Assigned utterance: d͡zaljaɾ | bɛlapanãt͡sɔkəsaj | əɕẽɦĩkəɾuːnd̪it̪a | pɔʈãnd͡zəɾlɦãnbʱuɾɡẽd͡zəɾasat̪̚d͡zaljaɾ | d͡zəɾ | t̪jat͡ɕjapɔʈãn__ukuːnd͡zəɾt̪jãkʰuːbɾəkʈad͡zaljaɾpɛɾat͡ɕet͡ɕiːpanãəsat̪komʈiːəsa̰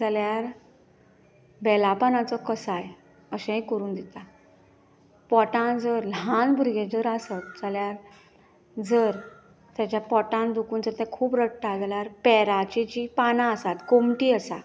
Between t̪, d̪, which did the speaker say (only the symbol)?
d̪